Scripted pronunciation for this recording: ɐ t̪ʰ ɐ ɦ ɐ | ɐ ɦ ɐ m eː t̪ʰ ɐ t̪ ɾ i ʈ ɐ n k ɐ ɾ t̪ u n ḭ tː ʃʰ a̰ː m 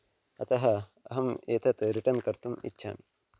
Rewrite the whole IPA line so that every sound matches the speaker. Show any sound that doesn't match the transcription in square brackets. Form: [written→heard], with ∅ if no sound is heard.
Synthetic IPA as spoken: ɐ [t̪ʰ→t̪] ɐ ɦ ɐ | ɐ ɦ ɐ m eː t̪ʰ ɐ t̪ ɾ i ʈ ɐ n k ɐ ɾ t̪ u [n→m] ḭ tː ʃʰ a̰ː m